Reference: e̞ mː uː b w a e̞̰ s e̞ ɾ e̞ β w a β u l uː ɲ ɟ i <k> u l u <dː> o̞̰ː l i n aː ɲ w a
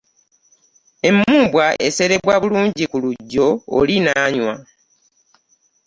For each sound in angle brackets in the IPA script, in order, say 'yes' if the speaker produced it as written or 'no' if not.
yes, no

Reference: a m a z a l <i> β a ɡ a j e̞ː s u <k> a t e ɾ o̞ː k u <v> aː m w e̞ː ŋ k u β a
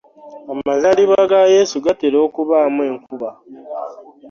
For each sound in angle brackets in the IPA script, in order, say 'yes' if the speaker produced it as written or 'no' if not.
yes, no, no

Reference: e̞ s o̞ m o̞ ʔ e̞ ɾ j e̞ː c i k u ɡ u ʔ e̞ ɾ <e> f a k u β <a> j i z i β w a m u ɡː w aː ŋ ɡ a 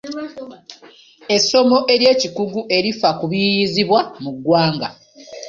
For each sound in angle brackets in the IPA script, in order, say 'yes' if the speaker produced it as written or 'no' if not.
no, no

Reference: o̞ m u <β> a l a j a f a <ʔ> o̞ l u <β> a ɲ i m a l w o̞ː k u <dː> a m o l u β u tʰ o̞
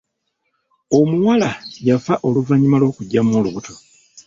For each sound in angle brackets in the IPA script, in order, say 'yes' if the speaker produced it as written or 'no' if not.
no, yes, no, no

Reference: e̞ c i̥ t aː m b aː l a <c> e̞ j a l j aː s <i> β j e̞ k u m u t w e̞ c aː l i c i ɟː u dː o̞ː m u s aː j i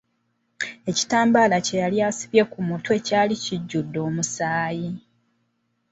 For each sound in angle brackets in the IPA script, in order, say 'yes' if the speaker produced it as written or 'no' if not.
yes, yes

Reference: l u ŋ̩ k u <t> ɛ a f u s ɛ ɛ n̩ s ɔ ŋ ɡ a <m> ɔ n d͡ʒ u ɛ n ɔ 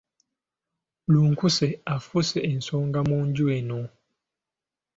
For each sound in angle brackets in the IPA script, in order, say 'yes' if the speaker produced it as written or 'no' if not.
no, yes

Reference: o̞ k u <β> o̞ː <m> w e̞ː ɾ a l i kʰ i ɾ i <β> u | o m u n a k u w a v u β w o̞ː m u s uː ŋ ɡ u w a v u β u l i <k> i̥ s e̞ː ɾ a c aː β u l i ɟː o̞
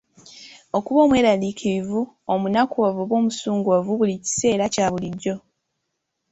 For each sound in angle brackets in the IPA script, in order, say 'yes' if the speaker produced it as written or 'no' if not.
yes, yes, no, no

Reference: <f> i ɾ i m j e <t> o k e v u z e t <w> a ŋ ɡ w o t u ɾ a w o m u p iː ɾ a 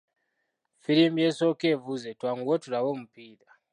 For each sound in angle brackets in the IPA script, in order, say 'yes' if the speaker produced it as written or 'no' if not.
yes, no, yes

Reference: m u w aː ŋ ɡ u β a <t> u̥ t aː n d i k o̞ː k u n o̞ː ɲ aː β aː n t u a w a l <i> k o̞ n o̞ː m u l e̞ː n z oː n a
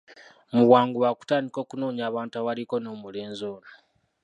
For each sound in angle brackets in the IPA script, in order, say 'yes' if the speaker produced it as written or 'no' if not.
no, yes

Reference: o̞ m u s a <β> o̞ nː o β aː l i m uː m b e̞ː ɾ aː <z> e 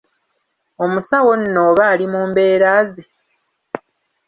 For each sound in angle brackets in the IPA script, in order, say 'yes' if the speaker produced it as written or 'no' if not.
no, yes

